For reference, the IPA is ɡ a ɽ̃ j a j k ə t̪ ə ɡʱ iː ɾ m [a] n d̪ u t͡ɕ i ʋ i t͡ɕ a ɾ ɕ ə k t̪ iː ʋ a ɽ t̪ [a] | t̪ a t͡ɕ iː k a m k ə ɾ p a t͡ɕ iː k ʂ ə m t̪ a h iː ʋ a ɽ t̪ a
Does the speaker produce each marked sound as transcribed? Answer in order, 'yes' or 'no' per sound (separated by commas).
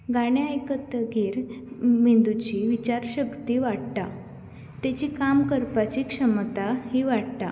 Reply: no, yes